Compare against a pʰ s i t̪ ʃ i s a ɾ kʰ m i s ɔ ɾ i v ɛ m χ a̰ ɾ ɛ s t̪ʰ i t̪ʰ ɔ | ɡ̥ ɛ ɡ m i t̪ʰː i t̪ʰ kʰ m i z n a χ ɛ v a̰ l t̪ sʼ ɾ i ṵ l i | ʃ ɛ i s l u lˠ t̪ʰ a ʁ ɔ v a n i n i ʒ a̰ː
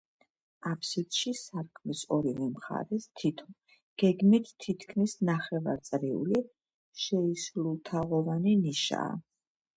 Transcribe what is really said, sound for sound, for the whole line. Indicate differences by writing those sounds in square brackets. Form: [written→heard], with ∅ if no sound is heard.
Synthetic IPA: a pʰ s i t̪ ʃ i s a ɾ kʰ m i s ɔ ɾ i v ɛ m χ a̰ ɾ ɛ s t̪ʰ i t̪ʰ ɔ | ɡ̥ ɛ ɡ m i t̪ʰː i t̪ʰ kʰ m i [z→s] n a χ ɛ v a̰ [l→ɾ] t̪ sʼ ɾ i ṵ l i | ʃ ɛ i s l u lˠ t̪ʰ a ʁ ɔ v a n i n i [ʒ→ʃ] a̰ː